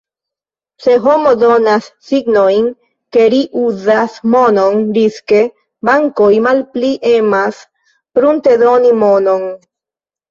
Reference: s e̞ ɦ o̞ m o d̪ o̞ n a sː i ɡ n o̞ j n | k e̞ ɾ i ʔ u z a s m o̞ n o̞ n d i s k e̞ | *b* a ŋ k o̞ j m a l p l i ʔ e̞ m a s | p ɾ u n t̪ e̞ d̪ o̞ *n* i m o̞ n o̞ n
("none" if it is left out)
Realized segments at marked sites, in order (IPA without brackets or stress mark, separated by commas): b, n